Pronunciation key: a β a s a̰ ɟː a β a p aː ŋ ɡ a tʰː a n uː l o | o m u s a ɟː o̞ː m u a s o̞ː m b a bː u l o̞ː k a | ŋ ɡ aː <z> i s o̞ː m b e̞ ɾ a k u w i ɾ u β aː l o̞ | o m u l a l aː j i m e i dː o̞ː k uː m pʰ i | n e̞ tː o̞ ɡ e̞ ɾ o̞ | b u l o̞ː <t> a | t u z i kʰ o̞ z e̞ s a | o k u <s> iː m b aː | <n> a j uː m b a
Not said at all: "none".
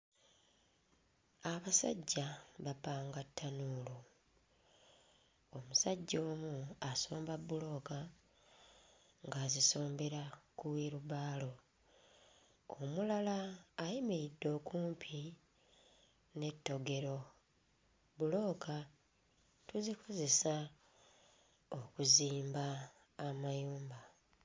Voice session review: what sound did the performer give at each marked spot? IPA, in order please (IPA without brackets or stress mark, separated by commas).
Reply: z, k, z, m